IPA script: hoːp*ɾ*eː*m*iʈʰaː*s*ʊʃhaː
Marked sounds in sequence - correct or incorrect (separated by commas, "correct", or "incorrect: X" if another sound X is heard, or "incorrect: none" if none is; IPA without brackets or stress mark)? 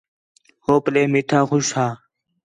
incorrect: l, correct, incorrect: x